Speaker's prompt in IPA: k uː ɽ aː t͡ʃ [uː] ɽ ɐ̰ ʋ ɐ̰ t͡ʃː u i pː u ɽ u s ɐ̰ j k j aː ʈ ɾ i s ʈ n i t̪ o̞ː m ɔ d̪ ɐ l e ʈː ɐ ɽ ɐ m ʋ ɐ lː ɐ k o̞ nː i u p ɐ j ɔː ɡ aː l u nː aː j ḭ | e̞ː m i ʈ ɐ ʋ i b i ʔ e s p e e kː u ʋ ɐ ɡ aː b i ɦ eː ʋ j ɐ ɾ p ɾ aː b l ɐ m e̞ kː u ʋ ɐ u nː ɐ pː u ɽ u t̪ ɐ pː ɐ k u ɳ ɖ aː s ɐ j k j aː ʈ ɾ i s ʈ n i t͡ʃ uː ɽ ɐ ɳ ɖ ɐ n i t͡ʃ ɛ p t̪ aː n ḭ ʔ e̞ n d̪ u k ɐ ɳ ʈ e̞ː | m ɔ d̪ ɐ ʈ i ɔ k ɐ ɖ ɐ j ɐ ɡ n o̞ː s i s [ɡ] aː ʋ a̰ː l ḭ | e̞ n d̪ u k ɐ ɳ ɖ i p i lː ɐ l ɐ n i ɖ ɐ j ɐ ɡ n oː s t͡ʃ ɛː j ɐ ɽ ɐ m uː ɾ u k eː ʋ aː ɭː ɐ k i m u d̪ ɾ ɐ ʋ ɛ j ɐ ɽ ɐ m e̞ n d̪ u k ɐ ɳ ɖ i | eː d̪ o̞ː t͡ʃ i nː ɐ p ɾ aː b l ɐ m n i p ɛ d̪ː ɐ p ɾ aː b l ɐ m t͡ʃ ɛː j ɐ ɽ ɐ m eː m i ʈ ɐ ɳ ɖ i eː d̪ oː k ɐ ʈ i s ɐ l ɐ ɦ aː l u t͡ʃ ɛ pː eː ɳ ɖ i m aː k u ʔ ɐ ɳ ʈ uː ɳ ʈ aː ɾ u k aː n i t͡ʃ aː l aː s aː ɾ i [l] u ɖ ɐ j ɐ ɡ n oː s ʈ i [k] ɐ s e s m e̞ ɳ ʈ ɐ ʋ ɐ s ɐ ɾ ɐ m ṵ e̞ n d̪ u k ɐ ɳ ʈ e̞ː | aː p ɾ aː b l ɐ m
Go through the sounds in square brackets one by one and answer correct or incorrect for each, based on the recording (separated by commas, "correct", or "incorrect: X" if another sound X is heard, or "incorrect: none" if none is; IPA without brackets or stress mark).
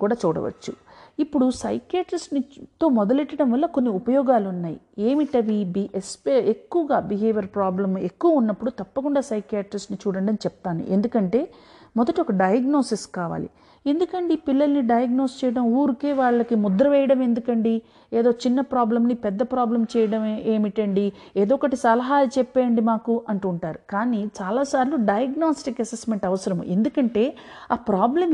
correct, incorrect: k, correct, correct